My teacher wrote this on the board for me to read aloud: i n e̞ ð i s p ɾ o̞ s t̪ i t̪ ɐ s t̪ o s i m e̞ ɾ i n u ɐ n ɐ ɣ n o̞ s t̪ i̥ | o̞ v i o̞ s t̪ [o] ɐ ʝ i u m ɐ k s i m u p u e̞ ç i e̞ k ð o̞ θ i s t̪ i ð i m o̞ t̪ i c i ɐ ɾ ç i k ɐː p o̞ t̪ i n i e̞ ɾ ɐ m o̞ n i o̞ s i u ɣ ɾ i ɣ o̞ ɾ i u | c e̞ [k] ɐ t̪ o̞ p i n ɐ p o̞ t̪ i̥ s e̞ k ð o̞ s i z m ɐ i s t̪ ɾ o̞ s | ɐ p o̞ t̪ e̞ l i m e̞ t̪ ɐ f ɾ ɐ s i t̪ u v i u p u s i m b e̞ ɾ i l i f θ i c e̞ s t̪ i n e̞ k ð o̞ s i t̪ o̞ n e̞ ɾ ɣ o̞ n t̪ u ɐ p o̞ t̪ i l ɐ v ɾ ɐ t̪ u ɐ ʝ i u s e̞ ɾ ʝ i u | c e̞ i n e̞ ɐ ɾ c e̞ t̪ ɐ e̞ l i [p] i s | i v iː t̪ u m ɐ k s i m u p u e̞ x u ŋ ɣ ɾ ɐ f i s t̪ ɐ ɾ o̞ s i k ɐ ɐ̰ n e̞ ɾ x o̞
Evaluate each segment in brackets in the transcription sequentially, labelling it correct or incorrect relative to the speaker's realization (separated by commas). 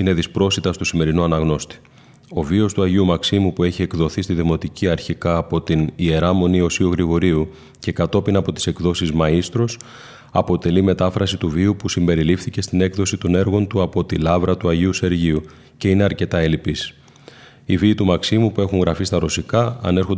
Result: incorrect, correct, correct